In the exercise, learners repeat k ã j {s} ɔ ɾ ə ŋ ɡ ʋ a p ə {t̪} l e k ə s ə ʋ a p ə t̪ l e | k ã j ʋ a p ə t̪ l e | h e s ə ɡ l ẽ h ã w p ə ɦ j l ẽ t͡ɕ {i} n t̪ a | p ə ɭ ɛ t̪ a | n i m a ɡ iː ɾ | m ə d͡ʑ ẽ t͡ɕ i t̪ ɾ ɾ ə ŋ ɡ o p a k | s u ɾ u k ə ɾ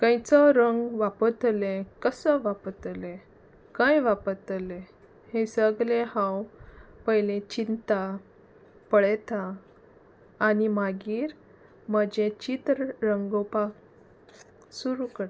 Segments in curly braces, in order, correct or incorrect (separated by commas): incorrect, correct, correct